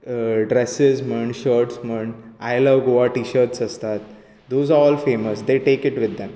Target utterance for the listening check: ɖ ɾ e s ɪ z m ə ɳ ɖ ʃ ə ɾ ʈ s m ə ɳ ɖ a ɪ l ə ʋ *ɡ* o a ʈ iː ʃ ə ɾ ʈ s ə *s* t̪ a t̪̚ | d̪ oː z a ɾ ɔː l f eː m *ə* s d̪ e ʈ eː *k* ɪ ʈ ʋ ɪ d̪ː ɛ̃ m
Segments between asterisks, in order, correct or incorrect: correct, correct, correct, correct

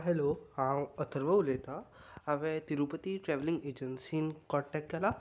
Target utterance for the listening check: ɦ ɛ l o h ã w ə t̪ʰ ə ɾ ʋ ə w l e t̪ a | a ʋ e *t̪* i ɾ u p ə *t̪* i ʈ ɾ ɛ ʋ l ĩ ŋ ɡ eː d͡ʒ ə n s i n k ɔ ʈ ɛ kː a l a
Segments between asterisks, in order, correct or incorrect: correct, correct

